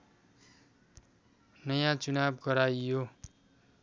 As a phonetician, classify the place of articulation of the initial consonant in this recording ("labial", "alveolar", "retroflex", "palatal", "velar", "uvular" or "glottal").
alveolar